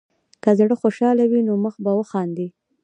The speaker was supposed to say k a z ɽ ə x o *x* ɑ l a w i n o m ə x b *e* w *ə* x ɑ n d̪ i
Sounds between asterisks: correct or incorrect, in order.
incorrect, incorrect, correct

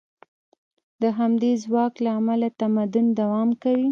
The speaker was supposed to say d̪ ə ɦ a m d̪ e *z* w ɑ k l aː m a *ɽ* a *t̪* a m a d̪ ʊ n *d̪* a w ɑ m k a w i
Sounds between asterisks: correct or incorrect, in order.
correct, incorrect, correct, correct

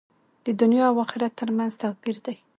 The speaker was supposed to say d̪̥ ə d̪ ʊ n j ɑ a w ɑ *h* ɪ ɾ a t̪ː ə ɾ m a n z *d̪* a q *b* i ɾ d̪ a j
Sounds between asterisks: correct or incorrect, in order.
incorrect, incorrect, correct

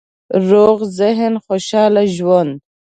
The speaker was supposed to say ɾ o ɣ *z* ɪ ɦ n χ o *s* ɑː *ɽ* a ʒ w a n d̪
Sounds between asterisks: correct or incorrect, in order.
correct, incorrect, incorrect

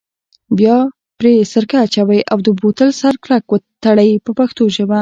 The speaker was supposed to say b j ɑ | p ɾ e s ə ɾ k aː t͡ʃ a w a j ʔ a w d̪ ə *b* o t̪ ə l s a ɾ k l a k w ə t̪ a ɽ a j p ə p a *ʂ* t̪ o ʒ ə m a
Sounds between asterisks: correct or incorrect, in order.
correct, incorrect

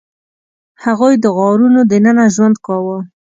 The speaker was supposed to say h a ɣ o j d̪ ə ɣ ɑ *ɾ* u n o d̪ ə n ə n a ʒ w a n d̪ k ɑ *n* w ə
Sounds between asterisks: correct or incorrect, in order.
correct, incorrect

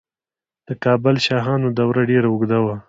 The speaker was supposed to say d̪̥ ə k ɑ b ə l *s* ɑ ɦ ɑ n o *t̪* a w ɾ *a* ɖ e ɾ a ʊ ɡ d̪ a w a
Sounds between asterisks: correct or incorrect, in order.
incorrect, incorrect, correct

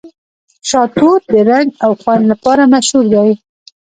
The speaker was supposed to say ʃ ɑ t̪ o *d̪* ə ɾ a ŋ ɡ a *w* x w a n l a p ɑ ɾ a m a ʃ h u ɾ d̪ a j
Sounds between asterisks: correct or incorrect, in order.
correct, correct

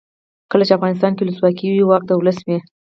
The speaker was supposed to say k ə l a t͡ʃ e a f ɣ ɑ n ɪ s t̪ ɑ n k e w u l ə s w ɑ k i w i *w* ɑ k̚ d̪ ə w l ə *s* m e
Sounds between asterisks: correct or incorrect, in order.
correct, correct

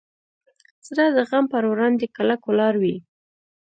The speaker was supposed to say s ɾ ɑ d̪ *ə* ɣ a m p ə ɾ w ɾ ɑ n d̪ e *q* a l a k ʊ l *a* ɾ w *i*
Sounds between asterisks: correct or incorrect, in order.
correct, incorrect, incorrect, correct

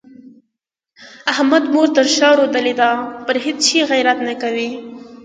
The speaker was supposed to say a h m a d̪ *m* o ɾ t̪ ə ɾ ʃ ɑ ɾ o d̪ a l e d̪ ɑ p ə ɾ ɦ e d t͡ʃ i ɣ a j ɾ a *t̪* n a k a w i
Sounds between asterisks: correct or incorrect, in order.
correct, correct

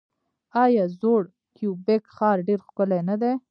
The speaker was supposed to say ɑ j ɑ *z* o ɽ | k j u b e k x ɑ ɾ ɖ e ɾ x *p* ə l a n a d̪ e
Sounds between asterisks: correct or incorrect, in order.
correct, incorrect

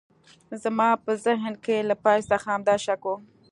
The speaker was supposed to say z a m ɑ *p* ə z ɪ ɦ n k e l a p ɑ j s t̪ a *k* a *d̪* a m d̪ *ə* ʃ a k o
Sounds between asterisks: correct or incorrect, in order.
correct, incorrect, incorrect, incorrect

